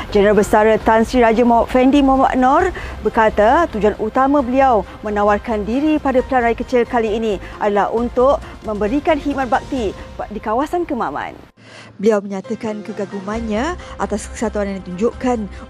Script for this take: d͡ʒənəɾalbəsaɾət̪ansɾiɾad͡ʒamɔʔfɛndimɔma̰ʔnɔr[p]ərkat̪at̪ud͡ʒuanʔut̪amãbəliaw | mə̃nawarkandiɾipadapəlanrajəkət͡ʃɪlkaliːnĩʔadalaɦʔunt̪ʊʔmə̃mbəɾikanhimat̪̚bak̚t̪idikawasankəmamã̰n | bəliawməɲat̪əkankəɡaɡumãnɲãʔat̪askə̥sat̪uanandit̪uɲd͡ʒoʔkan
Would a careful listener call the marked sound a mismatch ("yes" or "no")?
yes